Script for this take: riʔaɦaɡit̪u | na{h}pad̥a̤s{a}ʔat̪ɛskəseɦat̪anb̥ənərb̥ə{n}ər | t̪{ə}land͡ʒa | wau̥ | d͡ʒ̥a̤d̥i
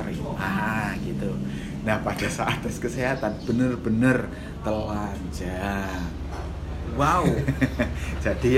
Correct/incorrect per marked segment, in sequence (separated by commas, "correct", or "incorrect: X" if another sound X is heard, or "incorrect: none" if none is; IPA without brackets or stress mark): correct, correct, correct, correct